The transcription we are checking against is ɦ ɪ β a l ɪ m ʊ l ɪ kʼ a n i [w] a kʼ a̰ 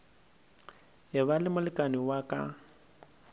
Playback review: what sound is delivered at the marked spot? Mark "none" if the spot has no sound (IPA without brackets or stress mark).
w